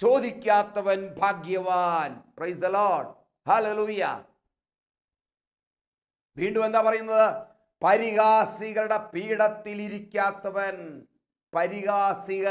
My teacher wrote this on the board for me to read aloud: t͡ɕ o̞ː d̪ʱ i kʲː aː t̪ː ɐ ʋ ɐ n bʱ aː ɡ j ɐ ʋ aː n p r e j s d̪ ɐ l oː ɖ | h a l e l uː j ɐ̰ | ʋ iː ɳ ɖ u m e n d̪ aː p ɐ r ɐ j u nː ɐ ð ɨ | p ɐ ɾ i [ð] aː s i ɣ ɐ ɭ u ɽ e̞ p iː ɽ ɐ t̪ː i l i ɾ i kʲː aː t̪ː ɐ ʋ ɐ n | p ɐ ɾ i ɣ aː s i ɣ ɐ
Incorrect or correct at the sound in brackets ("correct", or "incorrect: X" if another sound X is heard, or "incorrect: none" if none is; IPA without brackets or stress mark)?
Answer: incorrect: ɣ